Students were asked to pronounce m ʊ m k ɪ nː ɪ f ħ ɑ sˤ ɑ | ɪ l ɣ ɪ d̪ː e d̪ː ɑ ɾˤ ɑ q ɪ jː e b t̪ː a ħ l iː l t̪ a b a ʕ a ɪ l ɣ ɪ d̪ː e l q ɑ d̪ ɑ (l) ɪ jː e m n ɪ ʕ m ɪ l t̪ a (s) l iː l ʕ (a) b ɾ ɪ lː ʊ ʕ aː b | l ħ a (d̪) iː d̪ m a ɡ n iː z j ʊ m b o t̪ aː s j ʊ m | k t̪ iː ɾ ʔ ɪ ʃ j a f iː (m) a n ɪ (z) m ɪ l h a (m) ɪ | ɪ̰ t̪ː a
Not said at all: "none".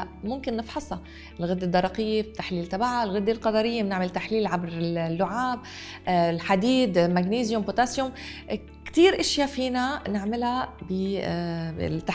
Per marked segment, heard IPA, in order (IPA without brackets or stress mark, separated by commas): ɾ, ħ, a, d̪, n, ʕ, b